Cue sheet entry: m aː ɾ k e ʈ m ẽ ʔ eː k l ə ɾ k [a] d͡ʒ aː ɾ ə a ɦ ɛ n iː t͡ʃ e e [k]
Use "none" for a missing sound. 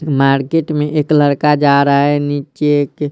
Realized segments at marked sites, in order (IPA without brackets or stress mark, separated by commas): a, k